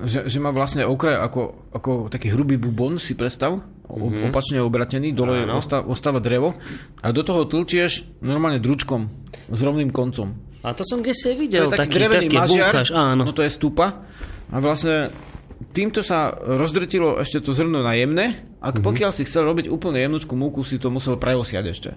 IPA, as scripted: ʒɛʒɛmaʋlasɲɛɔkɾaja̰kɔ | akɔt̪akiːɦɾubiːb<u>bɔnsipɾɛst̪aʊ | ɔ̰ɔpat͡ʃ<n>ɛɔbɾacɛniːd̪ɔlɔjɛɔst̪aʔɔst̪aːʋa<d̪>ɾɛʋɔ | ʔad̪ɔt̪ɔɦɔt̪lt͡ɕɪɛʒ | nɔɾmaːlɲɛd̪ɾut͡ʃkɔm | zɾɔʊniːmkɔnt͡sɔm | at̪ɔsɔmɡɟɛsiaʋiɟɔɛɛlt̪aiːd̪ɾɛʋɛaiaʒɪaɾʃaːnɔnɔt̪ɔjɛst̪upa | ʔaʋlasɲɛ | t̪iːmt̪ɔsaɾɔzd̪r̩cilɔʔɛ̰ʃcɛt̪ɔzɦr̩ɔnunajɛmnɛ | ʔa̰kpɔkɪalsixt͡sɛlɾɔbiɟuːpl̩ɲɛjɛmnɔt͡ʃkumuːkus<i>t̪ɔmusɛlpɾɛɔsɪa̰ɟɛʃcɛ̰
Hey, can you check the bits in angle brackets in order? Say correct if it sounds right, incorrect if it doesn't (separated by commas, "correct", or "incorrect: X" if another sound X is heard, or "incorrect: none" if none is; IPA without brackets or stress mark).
correct, incorrect: ɲ, correct, correct